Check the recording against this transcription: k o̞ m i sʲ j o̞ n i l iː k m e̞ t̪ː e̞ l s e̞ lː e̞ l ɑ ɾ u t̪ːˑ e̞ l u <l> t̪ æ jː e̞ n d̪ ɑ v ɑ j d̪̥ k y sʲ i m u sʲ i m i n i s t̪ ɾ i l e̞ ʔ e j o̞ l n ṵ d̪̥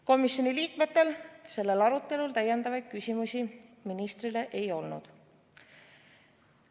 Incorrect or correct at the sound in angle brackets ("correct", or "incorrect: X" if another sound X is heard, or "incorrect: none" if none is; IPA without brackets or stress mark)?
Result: correct